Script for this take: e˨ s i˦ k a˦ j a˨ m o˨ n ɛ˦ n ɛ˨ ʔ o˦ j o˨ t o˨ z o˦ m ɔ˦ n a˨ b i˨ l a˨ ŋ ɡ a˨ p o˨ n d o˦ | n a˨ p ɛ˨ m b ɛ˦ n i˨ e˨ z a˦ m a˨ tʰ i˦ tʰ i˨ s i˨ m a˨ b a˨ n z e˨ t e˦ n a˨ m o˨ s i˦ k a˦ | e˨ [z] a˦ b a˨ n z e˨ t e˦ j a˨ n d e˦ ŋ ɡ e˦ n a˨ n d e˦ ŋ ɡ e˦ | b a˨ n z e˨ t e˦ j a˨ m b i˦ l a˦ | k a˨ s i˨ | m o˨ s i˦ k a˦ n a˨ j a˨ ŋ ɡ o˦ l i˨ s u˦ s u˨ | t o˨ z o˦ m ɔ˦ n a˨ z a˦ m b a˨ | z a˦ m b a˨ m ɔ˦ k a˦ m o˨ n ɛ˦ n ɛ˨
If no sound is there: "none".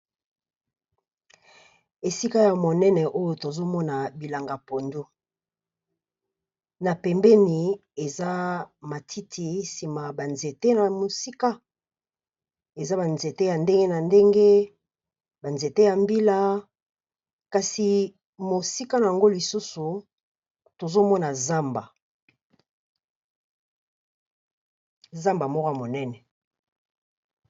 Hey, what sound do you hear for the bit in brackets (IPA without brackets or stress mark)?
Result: z